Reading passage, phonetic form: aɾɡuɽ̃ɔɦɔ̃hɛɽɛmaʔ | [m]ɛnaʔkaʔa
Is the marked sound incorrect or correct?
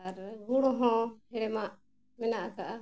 correct